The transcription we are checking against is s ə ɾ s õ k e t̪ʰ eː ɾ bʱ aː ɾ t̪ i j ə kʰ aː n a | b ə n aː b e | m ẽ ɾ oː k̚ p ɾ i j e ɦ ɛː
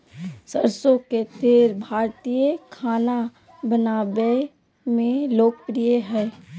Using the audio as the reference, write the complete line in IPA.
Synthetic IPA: s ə ɾ s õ k e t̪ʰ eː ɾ bʱ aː ɾ t̪ i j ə kʰ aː n a | b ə n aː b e | m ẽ l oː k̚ p ɾ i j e ɦ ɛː